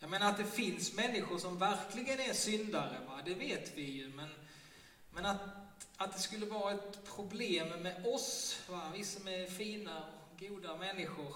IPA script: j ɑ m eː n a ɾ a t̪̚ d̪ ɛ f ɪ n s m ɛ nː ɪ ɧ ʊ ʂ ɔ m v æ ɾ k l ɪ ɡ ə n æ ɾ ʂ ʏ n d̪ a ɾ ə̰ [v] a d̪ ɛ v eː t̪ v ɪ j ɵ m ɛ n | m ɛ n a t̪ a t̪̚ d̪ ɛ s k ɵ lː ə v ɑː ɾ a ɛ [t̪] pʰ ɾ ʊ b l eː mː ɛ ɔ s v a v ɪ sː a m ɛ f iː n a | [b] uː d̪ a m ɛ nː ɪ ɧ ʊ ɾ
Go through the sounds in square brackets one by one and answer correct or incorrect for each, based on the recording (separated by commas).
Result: correct, correct, incorrect